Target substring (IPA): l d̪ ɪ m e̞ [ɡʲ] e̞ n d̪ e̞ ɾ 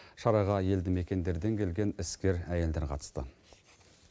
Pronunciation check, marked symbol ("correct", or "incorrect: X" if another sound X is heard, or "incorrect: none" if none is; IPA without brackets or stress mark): incorrect: kʲ